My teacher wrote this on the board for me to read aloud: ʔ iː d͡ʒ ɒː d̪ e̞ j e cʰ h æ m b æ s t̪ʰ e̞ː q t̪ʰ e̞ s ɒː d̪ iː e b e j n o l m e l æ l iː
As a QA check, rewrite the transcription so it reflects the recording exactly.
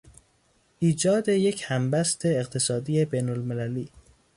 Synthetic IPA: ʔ iː d͡ʒ ɒː d̪ e̞ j e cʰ h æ m b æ s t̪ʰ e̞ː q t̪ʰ e̞ s ɒː d̪ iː e b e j n o l m e l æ l iː